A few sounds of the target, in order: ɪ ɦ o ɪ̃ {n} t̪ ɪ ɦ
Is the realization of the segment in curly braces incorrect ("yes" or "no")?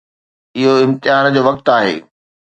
yes